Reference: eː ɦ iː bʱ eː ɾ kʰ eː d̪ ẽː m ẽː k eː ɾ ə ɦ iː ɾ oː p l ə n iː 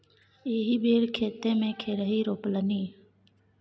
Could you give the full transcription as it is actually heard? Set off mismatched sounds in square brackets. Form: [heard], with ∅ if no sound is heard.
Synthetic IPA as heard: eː ɦ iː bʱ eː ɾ kʰ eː [t̪] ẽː m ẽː [kʰ] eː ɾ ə ɦ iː ɾ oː p l ə n iː